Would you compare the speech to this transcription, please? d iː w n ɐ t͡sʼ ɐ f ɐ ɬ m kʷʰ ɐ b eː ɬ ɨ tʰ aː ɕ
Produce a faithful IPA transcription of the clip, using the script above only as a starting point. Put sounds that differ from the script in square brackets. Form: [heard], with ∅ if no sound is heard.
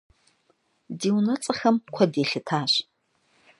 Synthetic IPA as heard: d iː w n ɐ t͡sʼ ɐ [x] ɐ [∅] m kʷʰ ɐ [d] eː ɬ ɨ tʰ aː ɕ

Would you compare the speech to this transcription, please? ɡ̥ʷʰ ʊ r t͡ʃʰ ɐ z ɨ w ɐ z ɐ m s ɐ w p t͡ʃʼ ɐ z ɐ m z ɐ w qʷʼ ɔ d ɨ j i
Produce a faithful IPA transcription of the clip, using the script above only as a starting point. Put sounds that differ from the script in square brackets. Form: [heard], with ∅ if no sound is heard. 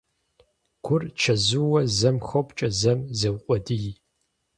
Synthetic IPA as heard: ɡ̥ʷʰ ʊ r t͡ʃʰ ɐ z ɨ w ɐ z ɐ m [x] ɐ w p t͡ʃʼ ɐ z ɐ m z ɐ w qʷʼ ɔ d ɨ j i

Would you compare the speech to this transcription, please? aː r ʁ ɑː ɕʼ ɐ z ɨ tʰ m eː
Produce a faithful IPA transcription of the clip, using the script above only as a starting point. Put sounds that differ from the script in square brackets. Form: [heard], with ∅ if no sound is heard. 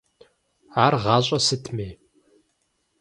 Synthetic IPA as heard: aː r ʁ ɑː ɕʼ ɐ [s] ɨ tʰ m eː

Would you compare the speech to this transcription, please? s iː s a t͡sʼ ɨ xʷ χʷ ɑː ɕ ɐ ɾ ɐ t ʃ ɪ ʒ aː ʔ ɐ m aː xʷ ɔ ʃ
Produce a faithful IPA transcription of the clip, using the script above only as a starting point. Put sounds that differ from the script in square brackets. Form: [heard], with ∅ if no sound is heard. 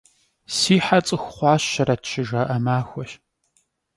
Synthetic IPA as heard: s iː [ħ] a t͡sʼ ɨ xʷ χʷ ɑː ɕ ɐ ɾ ɐ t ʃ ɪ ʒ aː ʔ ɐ m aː xʷ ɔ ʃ

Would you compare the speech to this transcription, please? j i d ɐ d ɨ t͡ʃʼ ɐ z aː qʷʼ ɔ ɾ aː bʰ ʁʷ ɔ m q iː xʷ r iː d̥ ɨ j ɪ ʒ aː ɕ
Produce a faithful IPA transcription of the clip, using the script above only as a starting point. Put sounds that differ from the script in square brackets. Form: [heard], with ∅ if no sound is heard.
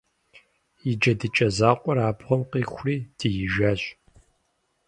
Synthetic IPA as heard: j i [d͡ʒ] ɐ d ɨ t͡ʃʼ ɐ z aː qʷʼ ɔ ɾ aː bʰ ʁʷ ɔ m q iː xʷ r iː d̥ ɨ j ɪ ʒ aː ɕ

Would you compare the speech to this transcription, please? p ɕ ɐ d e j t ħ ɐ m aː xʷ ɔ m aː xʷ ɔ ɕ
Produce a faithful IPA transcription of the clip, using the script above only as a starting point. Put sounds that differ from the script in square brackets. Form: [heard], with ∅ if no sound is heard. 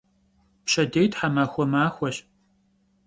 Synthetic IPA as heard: p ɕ ɐ d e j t ħ [a] m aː xʷ ɔ m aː xʷ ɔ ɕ

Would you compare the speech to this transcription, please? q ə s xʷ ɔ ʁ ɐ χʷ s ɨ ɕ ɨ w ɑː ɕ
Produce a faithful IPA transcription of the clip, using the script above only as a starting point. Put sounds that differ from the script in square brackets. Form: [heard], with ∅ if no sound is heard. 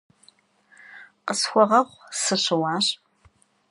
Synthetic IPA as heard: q ə s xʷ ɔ ʁ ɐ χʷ s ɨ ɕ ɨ w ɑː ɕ

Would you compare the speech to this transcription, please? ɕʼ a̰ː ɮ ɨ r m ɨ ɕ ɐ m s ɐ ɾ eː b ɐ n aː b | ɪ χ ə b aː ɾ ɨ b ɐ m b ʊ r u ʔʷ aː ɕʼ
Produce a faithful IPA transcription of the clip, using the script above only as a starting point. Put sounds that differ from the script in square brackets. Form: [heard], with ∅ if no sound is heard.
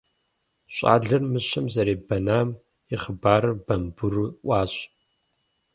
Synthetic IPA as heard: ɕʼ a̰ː ɮ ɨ r m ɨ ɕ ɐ m [z] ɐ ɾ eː b ɐ n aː [m] | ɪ χ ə b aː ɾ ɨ b ɐ m b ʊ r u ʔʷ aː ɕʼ

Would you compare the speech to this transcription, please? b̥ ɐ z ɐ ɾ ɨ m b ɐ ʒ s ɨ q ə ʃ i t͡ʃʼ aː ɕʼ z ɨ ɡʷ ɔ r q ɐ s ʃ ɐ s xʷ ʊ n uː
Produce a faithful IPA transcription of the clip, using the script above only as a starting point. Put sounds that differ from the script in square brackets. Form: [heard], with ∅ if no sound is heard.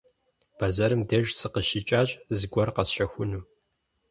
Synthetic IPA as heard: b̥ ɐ z ɐ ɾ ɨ m [d] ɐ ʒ s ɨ q ə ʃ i t͡ʃʼ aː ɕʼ z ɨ ɡʷ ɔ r q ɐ s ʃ ɐ [∅] xʷ ʊ n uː

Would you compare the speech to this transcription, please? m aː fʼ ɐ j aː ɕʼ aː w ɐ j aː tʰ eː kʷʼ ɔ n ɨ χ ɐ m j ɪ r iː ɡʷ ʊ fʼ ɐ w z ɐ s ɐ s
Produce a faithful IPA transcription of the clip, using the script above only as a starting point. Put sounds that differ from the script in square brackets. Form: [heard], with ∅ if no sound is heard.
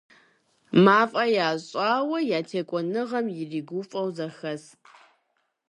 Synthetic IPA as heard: m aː fʼ ɐ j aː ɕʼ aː w ɐ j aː tʰ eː kʷʼ ɔ n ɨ [ʁ] ɐ m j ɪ r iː ɡʷ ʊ fʼ ɐ w z ɐ [x] ɐ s

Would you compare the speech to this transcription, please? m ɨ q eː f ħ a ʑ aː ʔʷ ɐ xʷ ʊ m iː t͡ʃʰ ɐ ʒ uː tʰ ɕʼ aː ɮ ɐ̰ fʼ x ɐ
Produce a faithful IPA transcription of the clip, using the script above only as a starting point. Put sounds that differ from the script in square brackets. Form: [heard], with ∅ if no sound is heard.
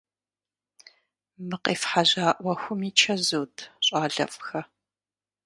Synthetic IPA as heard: m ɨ q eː f ħ a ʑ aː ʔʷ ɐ xʷ ʊ m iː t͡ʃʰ ɐ [z] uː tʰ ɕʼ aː ɮ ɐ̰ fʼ x ɐ

